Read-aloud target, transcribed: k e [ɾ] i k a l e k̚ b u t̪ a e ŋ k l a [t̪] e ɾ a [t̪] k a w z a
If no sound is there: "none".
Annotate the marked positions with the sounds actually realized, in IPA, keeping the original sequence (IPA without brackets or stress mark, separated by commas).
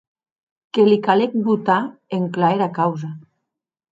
l, none, none